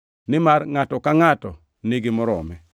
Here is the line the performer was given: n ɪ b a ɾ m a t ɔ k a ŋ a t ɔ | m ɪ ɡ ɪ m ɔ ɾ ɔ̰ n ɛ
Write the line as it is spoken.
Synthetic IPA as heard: n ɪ m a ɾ ŋ a t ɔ k a ŋ a t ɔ | n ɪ ɡ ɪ m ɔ ɾ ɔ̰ m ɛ